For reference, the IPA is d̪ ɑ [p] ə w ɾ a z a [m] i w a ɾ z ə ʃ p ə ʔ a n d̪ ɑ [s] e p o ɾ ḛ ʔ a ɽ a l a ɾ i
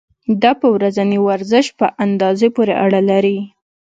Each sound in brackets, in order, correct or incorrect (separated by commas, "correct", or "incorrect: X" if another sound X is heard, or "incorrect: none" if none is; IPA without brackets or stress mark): correct, incorrect: n, incorrect: z